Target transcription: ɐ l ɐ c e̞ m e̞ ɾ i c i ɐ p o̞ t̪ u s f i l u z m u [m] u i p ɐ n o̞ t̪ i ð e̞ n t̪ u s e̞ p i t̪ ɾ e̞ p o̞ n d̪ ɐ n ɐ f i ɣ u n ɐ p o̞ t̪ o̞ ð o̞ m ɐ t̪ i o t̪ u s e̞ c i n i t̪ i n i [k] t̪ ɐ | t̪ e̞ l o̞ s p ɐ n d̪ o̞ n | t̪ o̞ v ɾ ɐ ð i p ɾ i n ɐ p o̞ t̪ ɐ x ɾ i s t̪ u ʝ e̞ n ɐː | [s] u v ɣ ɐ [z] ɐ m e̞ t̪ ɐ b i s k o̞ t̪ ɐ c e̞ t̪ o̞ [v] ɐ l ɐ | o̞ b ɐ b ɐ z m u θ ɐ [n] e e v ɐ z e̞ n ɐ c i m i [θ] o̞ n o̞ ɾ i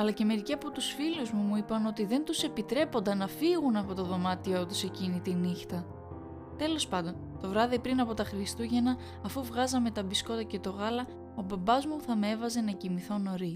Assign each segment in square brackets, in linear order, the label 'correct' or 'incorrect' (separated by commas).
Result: correct, incorrect, incorrect, correct, incorrect, incorrect, correct